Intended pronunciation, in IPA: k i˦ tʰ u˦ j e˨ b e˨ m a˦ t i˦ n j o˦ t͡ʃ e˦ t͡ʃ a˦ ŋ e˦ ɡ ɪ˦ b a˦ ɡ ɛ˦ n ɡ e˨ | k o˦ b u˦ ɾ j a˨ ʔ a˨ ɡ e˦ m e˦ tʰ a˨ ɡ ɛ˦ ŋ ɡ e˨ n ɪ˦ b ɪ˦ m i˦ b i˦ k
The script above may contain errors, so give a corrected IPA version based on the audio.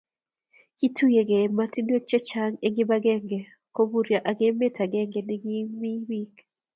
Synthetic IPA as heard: k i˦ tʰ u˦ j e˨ ɡ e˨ m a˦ t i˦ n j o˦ t͡ʃ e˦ t͡ʃ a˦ ŋ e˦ ɡ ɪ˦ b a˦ ɡ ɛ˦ ŋ ɡ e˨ | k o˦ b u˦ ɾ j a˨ ʔ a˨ ɡ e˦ m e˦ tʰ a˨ ɡ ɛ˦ ŋ ɡ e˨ n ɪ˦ ɡ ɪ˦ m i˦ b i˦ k

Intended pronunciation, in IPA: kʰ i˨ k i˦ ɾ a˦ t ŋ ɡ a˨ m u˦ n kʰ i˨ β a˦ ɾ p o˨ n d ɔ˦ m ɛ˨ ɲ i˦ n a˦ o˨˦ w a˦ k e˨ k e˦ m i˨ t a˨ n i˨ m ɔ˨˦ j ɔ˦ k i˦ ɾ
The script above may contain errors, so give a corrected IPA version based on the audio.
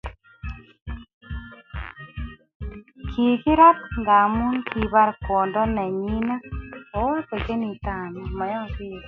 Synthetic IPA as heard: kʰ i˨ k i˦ ɾ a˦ t ŋ ɡ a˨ m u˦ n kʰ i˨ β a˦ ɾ k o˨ n d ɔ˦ n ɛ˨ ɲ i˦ n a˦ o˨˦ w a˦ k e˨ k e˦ n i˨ t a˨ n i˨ m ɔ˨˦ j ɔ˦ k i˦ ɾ

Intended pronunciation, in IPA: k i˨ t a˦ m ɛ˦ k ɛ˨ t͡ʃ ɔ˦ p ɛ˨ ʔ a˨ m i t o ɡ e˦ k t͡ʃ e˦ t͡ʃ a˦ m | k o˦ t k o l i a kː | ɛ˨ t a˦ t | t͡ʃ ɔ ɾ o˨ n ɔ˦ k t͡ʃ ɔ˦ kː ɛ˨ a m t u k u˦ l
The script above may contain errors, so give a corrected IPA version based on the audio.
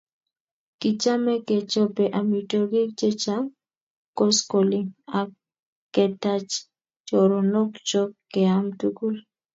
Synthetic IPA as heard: k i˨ t͡ʃ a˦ m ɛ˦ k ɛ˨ t͡ʃ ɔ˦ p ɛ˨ ʔ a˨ m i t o ɡ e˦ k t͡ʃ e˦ t͡ʃ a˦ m | k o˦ s k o l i a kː | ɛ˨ t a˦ t͡ʃ | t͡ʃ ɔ ɾ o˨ n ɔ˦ k t͡ʃ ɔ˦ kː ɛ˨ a m t u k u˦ l

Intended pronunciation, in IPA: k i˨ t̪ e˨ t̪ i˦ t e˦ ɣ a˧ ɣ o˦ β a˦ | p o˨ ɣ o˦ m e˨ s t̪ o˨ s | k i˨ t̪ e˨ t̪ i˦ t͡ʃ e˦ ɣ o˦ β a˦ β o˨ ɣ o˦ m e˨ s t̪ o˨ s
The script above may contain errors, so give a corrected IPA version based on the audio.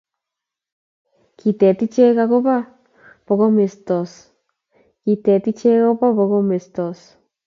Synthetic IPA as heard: k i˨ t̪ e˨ t̪ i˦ t͡ʃ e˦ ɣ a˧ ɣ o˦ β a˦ | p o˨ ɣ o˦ m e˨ s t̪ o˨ s | k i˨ t̪ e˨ t̪ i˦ t͡ʃ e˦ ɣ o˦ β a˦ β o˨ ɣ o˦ m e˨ s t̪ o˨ s

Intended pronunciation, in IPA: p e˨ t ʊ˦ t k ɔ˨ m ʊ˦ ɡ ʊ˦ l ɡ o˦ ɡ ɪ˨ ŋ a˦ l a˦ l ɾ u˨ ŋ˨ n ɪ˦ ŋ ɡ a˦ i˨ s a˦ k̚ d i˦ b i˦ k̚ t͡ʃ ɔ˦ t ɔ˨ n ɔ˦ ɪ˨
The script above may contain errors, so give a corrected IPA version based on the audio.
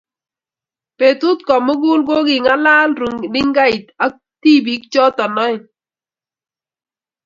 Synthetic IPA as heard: p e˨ t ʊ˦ t k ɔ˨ m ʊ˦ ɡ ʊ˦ l ɡ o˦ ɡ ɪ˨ ŋ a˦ l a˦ l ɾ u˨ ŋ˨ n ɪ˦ ŋ ɡ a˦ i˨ t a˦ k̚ t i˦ b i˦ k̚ t͡ʃ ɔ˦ t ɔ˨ n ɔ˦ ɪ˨

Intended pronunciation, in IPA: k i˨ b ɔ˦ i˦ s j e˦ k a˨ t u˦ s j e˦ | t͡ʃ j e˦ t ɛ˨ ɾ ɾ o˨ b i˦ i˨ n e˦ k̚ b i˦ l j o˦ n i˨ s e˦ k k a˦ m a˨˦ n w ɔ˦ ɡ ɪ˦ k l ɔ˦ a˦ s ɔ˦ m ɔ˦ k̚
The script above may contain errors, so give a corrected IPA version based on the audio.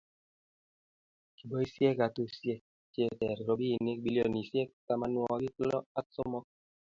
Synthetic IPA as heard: k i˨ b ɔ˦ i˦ s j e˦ k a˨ t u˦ s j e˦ | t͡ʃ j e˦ t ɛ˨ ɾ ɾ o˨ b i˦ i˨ n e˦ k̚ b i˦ l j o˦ n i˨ s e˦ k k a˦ m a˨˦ n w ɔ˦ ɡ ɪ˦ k l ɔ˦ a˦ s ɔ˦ m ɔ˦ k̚

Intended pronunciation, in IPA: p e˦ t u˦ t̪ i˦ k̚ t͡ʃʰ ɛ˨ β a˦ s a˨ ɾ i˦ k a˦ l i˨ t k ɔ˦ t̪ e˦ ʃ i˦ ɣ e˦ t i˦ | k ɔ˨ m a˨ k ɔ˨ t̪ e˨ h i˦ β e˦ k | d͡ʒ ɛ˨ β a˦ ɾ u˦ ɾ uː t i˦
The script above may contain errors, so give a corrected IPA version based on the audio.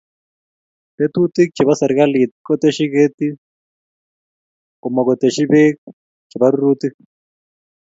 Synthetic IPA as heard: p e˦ t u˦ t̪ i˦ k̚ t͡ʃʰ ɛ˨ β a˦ s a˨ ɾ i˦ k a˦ l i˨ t k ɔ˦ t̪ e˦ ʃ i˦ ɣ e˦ t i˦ | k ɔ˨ m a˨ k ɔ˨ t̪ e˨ ʃ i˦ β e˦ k | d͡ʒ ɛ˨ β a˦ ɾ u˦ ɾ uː t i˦

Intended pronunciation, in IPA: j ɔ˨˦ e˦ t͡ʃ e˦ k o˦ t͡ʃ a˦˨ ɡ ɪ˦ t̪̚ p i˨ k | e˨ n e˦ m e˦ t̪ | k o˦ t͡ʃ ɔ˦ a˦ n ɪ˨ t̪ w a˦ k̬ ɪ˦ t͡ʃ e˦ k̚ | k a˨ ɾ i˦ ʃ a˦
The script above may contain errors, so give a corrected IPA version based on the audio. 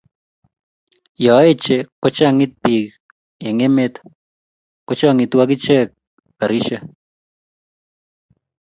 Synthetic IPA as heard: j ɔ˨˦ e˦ t͡ʃ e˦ k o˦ t͡ʃ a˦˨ ŋ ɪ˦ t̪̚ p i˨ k | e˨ ŋ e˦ m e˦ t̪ | k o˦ t͡ʃ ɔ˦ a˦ ŋ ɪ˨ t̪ w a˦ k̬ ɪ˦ t͡ʃ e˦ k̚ | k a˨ ɾ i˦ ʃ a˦

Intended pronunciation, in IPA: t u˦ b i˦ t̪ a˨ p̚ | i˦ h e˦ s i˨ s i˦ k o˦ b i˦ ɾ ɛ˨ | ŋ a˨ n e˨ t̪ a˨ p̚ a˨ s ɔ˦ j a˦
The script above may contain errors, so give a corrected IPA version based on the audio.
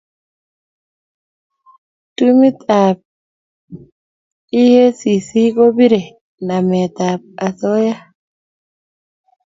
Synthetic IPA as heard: t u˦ m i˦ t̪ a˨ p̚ | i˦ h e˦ s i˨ s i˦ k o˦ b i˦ ɾ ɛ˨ | n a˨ m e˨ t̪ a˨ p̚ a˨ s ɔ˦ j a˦

